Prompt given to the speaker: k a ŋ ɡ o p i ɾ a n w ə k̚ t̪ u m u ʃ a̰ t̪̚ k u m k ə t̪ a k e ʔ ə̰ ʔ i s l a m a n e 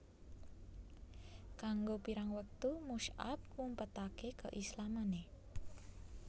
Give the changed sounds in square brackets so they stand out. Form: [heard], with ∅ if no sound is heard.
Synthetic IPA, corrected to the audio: k a ŋ ɡ o p i ɾ a [ŋ] w ə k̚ t̪ u m u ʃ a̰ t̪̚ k u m [p] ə t̪ a k e [k] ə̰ ʔ i s l a m a n e